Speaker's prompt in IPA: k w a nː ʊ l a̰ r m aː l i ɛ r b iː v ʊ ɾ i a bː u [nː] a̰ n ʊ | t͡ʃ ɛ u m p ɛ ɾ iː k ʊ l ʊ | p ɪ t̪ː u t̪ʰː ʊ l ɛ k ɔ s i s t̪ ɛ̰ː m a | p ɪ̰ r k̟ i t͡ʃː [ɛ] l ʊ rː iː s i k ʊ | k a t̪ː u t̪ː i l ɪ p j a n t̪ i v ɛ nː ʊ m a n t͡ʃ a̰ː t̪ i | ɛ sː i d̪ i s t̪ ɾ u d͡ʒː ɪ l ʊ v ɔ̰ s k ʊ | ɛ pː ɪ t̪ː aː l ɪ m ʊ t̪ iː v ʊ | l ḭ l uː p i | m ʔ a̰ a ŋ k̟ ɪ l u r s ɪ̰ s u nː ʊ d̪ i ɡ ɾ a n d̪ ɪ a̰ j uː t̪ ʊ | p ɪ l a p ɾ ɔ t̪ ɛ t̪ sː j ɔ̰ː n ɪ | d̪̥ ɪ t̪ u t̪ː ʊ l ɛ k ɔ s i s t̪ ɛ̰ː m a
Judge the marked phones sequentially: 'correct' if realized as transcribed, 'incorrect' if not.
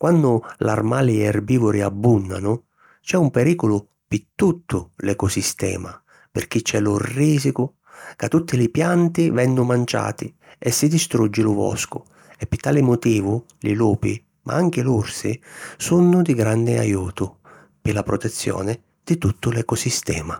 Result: correct, correct

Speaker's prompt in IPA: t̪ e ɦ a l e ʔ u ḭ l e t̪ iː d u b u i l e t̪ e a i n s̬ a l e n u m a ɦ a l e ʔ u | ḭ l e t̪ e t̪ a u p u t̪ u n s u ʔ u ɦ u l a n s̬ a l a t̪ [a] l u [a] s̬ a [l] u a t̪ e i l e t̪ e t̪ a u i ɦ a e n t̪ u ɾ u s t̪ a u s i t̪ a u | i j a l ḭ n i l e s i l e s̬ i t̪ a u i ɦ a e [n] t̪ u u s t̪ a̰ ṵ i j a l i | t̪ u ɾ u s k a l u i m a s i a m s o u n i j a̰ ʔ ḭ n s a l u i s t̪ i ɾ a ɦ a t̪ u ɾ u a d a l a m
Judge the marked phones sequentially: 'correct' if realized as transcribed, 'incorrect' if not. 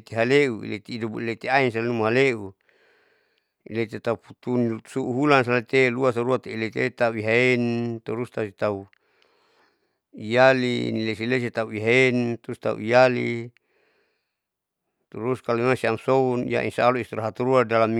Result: incorrect, correct, incorrect, correct

